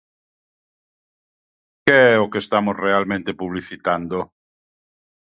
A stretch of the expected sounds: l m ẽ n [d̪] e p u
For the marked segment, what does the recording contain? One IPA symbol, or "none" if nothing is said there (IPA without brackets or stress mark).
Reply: t̪